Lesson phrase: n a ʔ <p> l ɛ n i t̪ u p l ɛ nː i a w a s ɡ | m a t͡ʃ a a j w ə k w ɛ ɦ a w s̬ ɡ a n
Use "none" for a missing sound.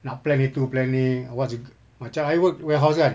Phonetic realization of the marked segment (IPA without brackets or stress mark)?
p